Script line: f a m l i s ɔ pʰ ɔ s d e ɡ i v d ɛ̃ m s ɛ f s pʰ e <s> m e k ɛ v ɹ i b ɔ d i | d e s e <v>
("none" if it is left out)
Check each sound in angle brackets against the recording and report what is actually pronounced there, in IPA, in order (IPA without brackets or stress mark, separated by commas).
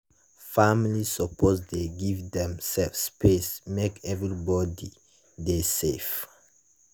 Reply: s, f